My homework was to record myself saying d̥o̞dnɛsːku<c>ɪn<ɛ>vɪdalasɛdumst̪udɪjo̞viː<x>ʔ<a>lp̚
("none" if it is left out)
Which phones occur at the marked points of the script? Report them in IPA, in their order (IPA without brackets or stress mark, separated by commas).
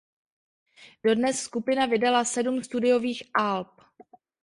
p, a, x, a